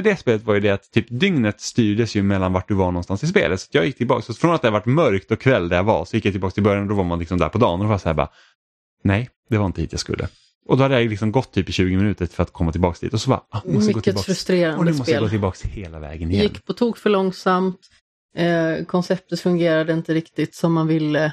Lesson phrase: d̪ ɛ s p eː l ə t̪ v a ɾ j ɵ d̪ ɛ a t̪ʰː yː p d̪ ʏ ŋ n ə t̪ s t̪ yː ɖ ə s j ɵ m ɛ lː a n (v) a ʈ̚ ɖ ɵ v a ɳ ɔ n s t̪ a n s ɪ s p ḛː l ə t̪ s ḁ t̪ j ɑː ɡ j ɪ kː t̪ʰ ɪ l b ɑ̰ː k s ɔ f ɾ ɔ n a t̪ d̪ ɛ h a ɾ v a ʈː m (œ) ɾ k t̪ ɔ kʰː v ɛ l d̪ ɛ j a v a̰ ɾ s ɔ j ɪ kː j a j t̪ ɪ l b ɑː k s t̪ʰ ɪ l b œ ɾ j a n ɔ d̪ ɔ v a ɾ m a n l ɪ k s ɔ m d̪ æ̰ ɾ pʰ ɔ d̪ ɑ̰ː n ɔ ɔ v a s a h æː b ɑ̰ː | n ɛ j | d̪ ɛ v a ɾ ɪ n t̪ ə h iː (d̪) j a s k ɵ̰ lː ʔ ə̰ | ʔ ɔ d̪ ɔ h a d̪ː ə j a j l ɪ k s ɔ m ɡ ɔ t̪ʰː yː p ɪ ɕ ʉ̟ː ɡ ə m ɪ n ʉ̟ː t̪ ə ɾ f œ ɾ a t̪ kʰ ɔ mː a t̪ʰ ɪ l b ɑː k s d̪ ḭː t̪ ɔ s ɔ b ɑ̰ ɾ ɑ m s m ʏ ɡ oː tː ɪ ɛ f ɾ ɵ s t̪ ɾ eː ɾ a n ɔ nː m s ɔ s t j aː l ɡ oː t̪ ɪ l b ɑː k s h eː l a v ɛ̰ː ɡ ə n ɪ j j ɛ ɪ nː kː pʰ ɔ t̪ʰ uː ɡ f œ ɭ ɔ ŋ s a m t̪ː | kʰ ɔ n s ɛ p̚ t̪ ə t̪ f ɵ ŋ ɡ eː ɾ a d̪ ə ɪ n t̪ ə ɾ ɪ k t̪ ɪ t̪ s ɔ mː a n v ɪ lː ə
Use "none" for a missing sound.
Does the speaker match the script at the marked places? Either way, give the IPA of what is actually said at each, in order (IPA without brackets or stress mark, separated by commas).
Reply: v, œ, t̪